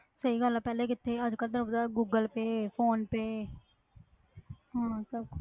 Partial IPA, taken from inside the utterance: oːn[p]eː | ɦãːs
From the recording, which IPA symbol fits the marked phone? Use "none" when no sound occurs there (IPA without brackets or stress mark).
p